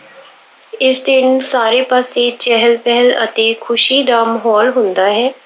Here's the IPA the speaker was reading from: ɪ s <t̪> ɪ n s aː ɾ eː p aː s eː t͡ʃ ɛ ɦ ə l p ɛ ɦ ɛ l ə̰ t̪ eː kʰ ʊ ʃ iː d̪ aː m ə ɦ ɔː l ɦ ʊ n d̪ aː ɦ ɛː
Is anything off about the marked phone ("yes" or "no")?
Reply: yes